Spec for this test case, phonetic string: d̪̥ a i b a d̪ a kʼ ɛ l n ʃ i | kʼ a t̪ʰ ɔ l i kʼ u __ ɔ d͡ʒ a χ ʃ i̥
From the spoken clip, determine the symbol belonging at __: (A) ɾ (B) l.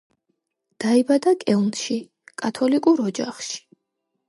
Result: A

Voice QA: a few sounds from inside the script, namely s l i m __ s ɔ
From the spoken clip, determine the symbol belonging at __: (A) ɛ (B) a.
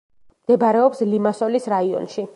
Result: B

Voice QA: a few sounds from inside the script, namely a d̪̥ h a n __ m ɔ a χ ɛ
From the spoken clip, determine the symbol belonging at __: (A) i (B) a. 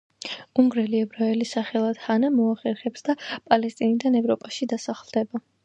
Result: B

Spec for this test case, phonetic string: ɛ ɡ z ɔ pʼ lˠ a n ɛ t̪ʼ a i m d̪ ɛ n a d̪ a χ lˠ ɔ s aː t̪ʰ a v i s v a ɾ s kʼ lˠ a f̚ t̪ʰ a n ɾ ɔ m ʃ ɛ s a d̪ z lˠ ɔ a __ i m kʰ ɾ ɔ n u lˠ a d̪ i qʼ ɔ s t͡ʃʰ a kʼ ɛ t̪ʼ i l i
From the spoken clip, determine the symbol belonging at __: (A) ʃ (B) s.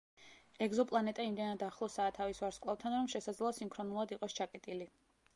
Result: B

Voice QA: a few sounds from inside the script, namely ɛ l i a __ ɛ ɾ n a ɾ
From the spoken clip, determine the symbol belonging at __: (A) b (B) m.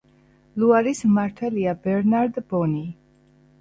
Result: A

